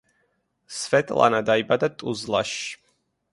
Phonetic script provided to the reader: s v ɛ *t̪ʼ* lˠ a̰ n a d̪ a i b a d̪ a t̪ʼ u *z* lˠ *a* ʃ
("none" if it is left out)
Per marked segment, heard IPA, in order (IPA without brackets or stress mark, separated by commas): t̪ʼ, z, a